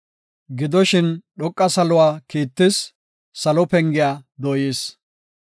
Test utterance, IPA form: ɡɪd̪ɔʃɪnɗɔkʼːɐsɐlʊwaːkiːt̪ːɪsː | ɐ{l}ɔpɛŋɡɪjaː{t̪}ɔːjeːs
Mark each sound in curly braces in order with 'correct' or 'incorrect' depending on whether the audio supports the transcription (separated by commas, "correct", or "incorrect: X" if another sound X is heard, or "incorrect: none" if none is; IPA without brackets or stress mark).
correct, incorrect: d̪